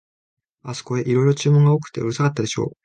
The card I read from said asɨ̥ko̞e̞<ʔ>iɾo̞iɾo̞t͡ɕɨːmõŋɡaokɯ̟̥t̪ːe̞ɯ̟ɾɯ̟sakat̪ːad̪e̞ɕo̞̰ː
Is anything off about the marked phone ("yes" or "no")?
no